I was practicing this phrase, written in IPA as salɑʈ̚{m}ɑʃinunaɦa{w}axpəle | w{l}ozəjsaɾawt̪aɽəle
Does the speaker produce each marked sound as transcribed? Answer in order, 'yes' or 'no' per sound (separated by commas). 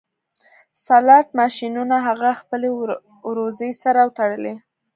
yes, no, no